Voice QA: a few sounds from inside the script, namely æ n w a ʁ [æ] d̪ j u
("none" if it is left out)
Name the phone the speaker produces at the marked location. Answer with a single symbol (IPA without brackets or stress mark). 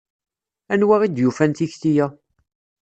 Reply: i